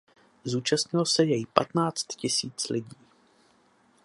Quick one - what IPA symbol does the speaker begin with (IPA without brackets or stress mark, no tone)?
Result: z